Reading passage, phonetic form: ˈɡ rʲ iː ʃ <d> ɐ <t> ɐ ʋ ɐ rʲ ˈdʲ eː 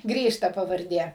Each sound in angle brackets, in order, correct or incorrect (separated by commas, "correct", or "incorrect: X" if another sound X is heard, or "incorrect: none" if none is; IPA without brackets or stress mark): incorrect: t, incorrect: p